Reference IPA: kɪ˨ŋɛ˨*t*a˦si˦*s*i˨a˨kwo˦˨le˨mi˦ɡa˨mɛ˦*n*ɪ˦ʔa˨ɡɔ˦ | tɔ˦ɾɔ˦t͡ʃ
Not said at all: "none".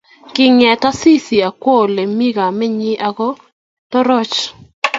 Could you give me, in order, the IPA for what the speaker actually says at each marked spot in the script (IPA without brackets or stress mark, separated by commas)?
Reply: t, s, ɲ